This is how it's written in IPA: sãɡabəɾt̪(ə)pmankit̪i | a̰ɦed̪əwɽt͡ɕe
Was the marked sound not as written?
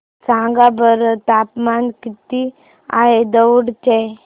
yes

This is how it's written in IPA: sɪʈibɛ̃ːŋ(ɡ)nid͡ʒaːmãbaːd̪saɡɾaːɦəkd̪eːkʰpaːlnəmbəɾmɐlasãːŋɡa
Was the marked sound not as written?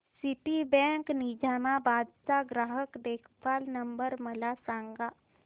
yes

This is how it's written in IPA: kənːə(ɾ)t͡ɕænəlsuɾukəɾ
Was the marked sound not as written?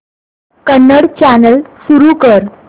yes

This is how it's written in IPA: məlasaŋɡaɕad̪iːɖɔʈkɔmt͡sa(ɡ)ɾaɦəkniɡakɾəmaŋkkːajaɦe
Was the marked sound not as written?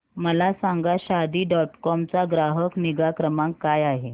no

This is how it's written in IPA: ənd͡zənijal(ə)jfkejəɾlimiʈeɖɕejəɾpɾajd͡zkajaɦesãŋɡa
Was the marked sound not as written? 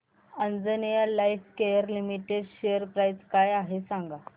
yes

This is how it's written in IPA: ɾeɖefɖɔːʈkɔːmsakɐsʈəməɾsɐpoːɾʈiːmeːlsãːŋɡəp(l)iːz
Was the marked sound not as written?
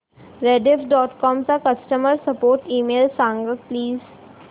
no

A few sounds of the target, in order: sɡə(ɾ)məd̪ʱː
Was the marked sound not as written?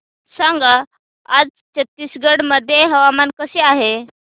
yes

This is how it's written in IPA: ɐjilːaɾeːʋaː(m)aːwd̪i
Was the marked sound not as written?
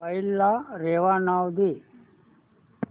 yes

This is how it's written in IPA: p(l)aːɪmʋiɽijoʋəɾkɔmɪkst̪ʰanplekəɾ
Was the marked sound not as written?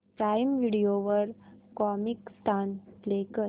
yes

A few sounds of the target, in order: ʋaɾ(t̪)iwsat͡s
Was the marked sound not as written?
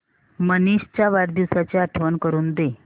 yes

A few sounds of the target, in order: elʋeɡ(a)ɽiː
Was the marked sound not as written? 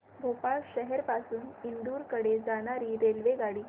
no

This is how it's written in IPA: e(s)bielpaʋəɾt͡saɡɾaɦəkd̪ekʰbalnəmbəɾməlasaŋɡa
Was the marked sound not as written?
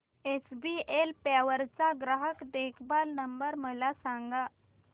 no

